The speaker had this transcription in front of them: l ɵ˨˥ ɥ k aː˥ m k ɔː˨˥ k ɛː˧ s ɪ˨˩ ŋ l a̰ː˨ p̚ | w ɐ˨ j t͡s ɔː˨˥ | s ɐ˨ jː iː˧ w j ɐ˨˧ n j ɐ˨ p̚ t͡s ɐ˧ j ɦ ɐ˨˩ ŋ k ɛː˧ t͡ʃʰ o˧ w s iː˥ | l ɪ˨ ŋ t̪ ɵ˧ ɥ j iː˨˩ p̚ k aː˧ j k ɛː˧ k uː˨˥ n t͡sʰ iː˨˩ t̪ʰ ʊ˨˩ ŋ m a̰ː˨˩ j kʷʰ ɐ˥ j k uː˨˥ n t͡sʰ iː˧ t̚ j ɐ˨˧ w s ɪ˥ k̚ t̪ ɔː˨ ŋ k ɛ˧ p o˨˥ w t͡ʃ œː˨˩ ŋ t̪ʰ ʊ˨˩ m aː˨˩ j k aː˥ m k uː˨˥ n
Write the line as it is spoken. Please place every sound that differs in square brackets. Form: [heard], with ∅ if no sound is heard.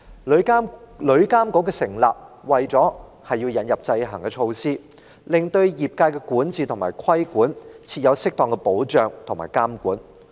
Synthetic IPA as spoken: l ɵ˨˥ ɥ k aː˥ m k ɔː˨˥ k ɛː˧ s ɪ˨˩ ŋ l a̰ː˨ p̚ | w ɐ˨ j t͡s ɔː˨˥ | [h] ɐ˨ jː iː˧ w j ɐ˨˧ n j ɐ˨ p̚ t͡s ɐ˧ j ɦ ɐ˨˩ ŋ k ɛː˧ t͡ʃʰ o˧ w s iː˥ | l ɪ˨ ŋ t̪ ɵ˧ ɥ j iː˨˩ p̚ k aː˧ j k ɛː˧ k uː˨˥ n [t͡s] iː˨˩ t̪ʰ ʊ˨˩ ŋ m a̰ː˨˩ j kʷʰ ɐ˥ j k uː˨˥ n t͡sʰ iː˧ t̚ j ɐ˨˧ w s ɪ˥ k̚ t̪ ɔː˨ ŋ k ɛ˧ p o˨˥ w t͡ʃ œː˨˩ ŋ t̪ʰ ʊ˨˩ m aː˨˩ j k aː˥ m k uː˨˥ n